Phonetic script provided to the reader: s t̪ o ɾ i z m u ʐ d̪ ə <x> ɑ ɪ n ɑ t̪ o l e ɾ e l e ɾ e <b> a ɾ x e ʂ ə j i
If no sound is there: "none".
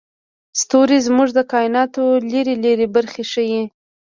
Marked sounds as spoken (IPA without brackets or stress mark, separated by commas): k, b